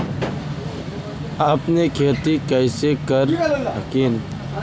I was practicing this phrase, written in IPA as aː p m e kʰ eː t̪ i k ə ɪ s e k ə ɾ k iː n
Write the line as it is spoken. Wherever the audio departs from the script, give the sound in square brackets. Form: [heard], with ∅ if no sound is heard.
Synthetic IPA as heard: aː p [n] e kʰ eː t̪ i k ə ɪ s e k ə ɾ k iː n

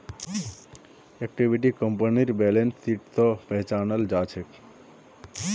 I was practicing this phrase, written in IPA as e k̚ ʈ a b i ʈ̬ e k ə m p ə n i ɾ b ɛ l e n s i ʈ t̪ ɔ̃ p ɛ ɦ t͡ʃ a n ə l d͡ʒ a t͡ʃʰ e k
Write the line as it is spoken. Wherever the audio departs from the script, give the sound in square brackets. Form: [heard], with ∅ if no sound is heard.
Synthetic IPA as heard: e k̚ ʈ [i] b i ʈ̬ [i] k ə m p ə n i ɾ b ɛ l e n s i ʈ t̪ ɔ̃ p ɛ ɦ t͡ʃ a n ə l d͡ʒ a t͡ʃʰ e k

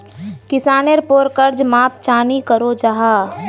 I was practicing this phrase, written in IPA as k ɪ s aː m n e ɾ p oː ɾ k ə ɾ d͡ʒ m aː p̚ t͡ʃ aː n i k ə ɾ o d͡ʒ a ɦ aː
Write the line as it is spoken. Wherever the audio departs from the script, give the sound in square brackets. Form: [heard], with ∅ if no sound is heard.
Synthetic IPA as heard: k ɪ s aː [∅] n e ɾ p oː ɾ k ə ɾ d͡ʒ m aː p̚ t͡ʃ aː n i k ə ɾ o d͡ʒ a ɦ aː

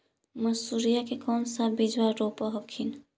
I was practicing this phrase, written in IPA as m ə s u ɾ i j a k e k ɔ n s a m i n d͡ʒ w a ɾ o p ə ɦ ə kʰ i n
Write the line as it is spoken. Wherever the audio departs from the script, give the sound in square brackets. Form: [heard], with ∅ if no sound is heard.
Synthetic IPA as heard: m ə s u ɾ i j a k e k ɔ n s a [b] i [∅] d͡ʒ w a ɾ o p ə ɦ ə kʰ i n

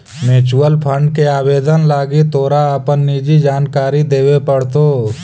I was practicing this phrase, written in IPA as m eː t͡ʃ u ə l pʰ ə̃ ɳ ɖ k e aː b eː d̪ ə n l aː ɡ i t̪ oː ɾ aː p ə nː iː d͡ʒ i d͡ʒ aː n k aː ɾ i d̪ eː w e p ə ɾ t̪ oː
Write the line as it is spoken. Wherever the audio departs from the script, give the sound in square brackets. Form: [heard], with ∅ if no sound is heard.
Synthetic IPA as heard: m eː t͡ʃ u ə l pʰ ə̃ ɳ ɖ k e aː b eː d̪ ə n l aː ɡ i t̪ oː ɾ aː p ə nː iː d͡ʒ i d͡ʒ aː n k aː ɾ i d̪ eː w e p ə [ɽ] t̪ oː

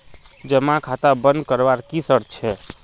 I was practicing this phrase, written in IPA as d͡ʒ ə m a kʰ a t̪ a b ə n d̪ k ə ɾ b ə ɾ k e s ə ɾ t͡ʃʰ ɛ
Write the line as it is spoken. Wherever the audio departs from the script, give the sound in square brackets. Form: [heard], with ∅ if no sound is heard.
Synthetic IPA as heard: d͡ʒ ə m a kʰ a t̪ a b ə n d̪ k ə ɾ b [a] ɾ k [i] s ə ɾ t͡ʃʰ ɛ

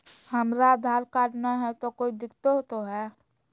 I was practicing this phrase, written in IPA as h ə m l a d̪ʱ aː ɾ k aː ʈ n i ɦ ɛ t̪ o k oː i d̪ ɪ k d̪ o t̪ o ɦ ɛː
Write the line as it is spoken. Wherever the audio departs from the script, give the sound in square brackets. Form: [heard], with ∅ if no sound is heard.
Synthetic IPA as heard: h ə m [ɾ] a d̪ʱ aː ɾ k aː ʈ n [a] ɦ ɛ t̪ o k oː i d̪ ɪ k [t̪] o t̪ o ɦ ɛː

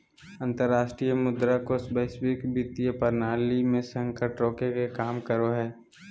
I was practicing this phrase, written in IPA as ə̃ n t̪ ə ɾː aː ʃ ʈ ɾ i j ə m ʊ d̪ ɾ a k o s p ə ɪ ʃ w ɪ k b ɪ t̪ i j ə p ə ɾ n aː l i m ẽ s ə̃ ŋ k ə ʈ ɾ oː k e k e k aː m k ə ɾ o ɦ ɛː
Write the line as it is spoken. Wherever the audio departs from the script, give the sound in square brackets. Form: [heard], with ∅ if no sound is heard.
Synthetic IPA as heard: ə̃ n t̪ ə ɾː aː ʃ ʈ ɾ i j ə m ʊ d̪ ɾ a k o s [b] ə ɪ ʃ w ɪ k b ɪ t̪ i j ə p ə ɾ n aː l i m ẽ s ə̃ ŋ k ə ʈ ɾ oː k e k e k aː m k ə ɾ o ɦ ɛː

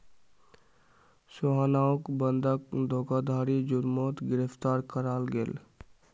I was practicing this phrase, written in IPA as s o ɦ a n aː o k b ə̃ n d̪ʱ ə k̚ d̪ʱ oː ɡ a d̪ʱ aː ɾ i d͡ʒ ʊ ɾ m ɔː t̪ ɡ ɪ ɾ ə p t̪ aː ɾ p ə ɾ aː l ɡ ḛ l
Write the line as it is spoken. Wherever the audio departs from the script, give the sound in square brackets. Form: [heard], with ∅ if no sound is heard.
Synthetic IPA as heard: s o ɦ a n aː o k b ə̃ n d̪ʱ ə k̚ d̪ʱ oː ɡ a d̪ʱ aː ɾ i d͡ʒ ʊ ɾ m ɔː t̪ ɡ ɪ ɾ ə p t̪ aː ɾ [k] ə ɾ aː l ɡ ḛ l

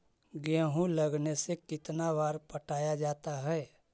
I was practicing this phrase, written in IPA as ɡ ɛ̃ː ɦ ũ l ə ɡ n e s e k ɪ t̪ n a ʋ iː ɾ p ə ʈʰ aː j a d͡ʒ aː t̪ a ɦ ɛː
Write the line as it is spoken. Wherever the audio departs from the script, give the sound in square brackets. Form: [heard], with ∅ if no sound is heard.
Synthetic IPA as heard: ɡ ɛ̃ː ɦ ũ l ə ɡ n e s e k ɪ t̪ n a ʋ [aː] ɾ p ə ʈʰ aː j a d͡ʒ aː t̪ a ɦ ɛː

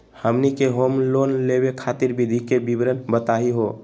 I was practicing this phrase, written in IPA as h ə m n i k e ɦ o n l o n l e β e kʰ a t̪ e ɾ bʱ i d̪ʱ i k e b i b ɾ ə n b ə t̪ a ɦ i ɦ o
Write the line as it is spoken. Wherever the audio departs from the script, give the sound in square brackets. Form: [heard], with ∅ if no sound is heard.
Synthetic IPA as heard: h ə m n i k e ɦ o [m] l o n l e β e kʰ a t̪ [i] ɾ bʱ i d̪ʱ i k e b i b ɾ ə n b ə t̪ a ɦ i ɦ o

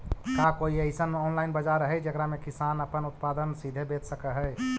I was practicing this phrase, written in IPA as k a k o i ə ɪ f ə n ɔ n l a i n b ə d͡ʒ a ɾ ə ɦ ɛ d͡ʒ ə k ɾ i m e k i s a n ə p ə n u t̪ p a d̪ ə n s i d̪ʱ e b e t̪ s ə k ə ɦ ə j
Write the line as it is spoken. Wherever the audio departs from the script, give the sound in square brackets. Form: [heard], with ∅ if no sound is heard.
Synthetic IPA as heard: k a k o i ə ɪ [s] ə n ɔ n l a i n b ə d͡ʒ a ɾ ə ɦ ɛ d͡ʒ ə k ɾ [a] m e k i s a n ə p ə n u t̪ p a d̪ ə n s i d̪ʱ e b e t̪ s ə k ə ɦ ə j

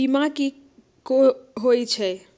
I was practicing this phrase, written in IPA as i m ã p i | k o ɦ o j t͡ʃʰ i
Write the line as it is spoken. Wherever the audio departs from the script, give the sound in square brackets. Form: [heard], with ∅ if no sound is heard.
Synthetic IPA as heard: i m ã [k] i | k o ɦ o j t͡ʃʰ [ɛ]

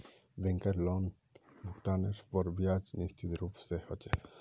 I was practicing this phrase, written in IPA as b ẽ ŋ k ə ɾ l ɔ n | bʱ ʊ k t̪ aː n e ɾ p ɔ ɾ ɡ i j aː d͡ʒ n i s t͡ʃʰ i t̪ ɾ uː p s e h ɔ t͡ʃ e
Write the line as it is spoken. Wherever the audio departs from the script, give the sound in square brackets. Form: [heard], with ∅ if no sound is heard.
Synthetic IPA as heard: b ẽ ŋ k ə ɾ l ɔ n | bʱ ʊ k t̪ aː n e ɾ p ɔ ɾ [b] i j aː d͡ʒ n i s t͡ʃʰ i t̪ ɾ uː p s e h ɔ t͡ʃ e

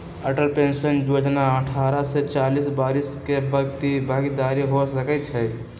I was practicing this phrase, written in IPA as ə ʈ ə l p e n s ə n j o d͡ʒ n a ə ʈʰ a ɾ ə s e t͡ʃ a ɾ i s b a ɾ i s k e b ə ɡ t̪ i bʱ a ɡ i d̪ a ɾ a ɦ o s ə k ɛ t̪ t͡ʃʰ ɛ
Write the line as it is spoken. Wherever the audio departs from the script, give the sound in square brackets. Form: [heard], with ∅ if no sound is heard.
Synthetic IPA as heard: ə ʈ ə l p e n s ə n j o d͡ʒ n a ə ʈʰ a ɾ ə s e t͡ʃ a [l] i s b a ɾ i s k e b ə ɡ t̪ i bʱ a ɡ i d̪ a ɾ [i] ɦ o s ə k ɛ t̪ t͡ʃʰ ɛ

